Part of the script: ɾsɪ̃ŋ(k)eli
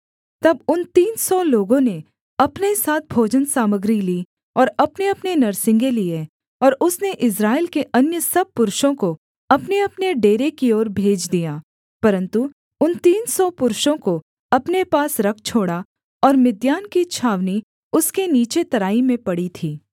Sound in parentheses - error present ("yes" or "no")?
yes